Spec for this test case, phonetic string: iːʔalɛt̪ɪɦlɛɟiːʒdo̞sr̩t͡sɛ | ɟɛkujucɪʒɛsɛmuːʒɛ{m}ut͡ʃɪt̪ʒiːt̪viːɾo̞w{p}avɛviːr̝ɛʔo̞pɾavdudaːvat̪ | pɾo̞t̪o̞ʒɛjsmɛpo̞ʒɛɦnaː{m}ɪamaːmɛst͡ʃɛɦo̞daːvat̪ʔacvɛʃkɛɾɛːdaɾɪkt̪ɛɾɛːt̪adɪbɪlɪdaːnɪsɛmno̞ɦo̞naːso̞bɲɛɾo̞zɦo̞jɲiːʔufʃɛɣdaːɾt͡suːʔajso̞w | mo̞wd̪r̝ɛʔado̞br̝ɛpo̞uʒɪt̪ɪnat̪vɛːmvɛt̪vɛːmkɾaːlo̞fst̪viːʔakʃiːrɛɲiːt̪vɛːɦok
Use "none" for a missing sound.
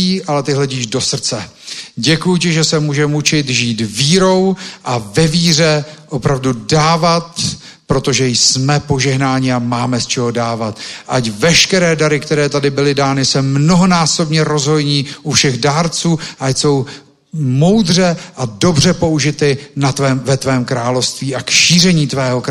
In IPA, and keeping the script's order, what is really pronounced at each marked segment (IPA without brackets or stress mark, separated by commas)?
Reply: m, ʔ, ɲ